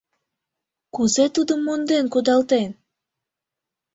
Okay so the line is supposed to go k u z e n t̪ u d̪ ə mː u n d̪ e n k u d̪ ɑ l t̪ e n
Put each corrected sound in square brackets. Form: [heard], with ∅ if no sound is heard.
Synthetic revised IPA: k u z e [∅] t̪ u d̪ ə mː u n d̪ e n k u d̪ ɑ l t̪ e n